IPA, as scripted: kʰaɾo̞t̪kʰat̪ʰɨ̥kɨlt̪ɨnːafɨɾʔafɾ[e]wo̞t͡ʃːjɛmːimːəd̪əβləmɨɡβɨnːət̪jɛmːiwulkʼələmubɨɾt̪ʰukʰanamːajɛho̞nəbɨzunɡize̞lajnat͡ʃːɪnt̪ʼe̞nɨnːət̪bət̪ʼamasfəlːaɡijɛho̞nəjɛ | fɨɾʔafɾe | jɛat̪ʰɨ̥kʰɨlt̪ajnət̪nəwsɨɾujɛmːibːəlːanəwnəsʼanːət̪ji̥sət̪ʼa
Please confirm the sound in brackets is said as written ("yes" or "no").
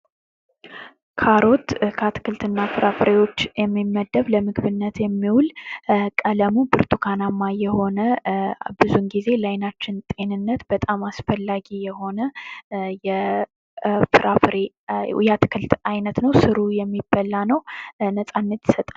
yes